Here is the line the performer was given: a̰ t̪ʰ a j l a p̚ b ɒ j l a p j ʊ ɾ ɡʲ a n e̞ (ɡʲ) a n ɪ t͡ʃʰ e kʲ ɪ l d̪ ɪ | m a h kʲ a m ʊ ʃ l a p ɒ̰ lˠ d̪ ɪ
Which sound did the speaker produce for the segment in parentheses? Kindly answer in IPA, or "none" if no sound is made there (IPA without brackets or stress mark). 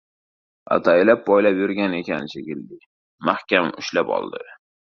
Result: kʲ